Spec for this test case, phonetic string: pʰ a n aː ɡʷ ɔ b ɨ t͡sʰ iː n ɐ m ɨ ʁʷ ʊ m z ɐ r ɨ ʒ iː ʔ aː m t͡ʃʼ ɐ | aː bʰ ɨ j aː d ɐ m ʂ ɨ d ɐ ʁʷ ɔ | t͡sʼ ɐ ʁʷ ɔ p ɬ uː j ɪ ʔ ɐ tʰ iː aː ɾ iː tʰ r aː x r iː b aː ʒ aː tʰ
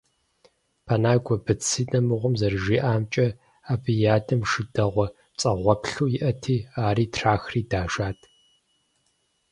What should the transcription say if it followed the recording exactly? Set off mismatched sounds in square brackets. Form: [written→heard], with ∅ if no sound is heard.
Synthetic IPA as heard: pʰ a n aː ɡʷ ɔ b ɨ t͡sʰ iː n ɐ m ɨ ʁʷ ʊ m z ɐ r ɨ ʒ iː ʔ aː m t͡ʃʼ ɐ | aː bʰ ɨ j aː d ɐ m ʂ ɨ d ɐ ʁʷ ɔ | t͡sʼ ɐ ʁʷ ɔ p ɬ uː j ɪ ʔ ɐ tʰ iː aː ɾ iː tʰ r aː x r iː [b→d] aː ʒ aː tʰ